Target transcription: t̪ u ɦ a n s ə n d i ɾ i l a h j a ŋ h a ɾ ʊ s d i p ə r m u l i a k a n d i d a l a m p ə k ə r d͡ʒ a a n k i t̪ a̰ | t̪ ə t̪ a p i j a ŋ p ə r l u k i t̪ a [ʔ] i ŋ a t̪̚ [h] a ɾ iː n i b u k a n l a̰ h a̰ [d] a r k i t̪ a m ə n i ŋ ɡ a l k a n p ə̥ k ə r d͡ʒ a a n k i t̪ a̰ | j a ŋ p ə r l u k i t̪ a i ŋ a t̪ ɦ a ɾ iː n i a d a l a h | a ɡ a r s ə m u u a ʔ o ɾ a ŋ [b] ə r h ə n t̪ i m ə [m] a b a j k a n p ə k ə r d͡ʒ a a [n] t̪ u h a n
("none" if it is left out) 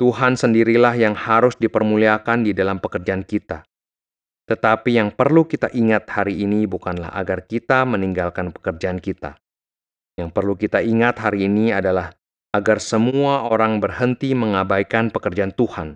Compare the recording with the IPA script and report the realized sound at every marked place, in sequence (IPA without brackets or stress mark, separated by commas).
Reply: ʔ, h, ɡ, b, ŋ, n